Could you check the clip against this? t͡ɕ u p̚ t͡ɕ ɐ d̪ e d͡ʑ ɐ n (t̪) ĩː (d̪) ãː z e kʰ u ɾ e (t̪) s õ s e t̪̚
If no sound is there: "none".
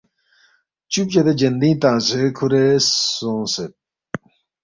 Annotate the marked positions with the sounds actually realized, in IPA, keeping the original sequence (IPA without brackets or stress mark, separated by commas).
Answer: d̪, t̪, none